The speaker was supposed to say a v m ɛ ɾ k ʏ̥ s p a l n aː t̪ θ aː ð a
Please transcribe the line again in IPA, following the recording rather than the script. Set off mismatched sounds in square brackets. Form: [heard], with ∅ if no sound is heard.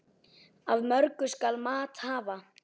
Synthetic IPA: a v m [œ] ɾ k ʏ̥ s [k] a l [m] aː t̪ [h] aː [v] a